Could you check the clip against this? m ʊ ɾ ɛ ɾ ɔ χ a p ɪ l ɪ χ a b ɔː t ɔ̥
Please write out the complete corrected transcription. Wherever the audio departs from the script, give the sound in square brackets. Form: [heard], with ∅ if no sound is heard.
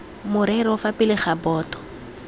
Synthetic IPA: m ʊ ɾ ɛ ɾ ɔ [f] a p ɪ l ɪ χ a b ɔː t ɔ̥